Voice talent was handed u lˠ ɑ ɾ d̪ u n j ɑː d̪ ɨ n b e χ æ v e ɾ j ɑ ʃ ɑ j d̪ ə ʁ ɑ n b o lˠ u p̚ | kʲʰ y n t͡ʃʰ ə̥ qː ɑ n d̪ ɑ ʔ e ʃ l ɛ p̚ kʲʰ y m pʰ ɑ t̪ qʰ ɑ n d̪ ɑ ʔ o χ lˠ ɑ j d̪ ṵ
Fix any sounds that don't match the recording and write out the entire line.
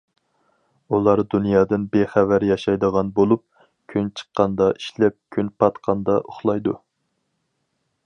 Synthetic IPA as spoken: u lˠ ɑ ɾ d̪ u n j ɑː d̪ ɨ n b e χ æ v æ ɾ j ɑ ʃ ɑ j d̪ ə ʁ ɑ n b o lˠ u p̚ | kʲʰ y n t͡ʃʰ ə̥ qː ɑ n d̪ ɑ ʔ i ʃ l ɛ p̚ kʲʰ y n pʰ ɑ t̪ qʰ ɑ n d̪ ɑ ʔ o χ lˠ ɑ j d̪ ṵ